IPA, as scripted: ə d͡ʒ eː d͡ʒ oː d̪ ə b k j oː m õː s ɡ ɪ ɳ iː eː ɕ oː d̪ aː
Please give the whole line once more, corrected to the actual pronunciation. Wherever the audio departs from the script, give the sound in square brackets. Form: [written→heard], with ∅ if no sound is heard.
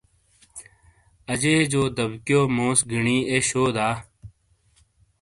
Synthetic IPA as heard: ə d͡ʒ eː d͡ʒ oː d̪ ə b k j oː m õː s ɡ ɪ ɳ iː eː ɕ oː d̪ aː